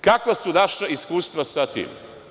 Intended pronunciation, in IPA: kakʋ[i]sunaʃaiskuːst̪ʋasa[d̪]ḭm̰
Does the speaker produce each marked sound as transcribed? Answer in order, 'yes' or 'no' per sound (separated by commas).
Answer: no, no